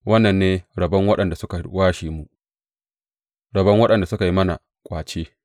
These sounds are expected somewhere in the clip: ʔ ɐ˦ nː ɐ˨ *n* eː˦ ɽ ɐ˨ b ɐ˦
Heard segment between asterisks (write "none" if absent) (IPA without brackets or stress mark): nː